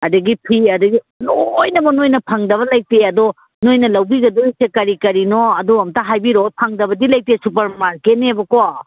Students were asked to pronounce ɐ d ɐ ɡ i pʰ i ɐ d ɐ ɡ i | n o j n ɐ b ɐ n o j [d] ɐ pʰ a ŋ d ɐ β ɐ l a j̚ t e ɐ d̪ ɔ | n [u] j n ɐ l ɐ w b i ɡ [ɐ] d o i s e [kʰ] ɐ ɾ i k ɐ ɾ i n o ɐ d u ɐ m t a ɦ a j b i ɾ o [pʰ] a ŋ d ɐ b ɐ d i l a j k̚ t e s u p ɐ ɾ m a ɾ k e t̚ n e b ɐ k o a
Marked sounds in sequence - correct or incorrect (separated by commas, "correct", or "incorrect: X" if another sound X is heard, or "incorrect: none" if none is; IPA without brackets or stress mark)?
incorrect: n, incorrect: o, correct, incorrect: k, correct